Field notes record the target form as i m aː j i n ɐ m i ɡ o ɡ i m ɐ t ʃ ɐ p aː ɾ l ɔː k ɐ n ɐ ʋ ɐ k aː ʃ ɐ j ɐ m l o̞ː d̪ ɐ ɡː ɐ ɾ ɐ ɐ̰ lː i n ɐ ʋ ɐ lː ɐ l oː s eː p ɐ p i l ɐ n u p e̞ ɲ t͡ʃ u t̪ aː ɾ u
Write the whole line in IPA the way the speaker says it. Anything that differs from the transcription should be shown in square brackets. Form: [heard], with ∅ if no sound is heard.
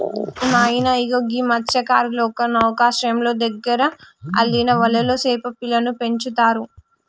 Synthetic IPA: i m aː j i n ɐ [∅] i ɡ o ɡ i m ɐ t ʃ ɐ [k] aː ɾ l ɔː k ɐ n ɐ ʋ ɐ k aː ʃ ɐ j ɐ m l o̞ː d̪ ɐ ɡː ɐ ɾ ɐ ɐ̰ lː i n ɐ ʋ ɐ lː ɐ l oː s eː p ɐ p i l ɐ n u p e̞ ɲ t͡ʃ u t̪ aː ɾ u